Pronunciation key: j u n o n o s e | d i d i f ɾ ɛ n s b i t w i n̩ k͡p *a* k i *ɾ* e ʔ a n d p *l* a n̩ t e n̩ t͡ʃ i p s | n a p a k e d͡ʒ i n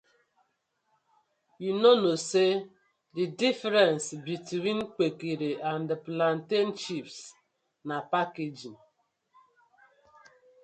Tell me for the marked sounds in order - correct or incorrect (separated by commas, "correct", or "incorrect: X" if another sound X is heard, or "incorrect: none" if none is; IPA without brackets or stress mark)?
incorrect: e, correct, correct